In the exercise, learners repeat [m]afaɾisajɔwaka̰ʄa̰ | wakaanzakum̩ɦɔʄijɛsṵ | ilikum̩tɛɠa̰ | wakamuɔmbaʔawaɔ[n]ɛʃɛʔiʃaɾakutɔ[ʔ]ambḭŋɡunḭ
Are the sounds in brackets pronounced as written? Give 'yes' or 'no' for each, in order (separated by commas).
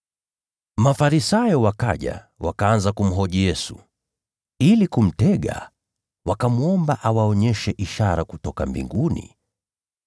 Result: yes, no, no